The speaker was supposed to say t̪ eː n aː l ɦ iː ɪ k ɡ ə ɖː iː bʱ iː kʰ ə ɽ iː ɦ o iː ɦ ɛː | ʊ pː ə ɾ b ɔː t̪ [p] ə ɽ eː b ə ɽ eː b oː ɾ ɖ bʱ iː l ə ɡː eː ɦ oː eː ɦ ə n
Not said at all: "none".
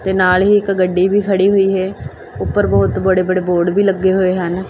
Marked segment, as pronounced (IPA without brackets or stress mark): b